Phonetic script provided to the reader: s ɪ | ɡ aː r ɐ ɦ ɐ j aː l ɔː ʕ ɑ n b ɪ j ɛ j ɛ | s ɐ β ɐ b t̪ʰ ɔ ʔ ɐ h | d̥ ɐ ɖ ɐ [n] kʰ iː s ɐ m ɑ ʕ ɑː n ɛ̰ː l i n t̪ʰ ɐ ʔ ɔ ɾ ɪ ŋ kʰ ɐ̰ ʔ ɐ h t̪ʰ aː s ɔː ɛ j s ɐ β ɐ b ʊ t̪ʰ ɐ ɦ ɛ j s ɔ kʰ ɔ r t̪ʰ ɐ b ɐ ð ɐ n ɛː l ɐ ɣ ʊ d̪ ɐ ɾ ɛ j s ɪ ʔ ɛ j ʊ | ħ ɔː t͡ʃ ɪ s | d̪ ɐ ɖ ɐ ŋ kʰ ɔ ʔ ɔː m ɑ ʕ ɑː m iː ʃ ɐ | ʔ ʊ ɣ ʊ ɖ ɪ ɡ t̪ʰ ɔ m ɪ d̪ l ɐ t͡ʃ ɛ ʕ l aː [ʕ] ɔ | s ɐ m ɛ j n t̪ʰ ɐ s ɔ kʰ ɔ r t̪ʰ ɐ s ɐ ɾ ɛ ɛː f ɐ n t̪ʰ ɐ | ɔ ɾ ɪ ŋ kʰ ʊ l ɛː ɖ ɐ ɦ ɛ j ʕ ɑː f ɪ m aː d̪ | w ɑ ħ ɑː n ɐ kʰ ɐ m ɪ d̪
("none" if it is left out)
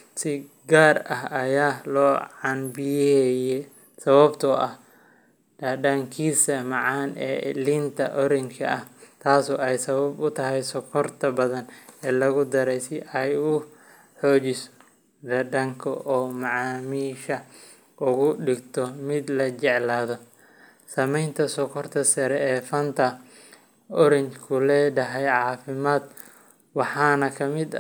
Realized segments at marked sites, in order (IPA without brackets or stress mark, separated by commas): ŋ, ð